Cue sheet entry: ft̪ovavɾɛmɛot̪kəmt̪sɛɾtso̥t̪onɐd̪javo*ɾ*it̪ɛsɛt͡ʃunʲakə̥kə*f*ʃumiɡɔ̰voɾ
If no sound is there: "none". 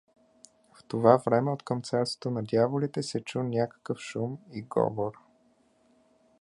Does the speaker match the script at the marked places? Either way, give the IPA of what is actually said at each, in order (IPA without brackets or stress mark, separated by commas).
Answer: l, f